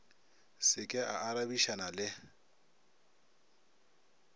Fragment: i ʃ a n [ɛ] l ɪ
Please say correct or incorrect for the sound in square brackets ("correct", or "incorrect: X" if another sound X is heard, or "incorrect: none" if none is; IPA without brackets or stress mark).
incorrect: a